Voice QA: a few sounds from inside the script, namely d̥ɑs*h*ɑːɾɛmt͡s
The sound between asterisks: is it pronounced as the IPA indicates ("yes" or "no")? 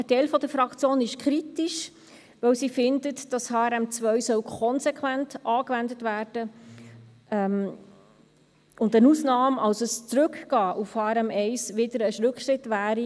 yes